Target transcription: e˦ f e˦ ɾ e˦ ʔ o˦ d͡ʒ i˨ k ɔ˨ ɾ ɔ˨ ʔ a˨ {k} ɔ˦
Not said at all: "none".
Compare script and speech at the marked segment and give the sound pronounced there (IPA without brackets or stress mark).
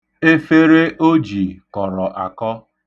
k